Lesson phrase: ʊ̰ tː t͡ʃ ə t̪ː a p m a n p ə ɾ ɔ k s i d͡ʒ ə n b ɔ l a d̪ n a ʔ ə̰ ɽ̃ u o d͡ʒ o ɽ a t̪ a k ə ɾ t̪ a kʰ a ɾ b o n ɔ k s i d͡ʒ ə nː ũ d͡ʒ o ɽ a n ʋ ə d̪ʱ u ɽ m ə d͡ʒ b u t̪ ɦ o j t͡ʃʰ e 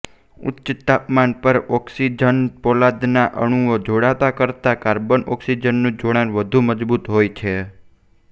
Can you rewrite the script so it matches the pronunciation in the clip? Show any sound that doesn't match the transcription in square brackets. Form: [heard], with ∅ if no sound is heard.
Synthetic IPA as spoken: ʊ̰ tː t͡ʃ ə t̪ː a p m a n p ə ɾ ɔ k s i d͡ʒ ə n [p] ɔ l a d̪ n a ʔ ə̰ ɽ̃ u o d͡ʒ o ɽ a t̪ a k ə ɾ t̪ a [k] a ɾ b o n ɔ k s i d͡ʒ ə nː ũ d͡ʒ o ɽ a n ʋ ə d̪ʱ u [∅] m ə d͡ʒ b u t̪ ɦ o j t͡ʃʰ e